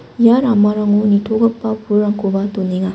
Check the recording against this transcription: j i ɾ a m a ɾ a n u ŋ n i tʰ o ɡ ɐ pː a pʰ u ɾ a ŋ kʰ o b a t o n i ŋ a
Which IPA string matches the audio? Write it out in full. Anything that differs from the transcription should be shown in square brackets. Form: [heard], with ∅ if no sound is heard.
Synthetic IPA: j [a] ɾ a m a ɾ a [ŋ] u [∅] n i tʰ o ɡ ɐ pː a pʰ u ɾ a ŋ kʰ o b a t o n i ŋ a